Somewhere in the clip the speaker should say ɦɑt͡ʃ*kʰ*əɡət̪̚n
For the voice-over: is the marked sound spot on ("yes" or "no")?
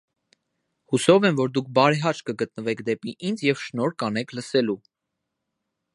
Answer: no